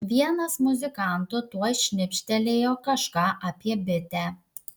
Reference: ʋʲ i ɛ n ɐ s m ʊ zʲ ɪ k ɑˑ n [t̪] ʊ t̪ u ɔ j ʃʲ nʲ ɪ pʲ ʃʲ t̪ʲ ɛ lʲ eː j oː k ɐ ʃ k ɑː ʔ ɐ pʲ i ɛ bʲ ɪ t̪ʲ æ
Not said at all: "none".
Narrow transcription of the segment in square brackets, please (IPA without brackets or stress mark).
t̪